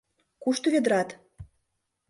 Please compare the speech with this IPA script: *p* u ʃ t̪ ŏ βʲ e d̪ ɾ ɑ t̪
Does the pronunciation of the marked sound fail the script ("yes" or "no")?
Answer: yes